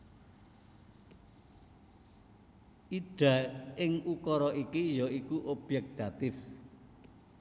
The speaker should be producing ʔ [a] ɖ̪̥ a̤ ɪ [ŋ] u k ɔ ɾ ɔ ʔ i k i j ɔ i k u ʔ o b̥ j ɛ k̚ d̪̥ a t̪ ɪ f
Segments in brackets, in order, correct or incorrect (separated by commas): incorrect, correct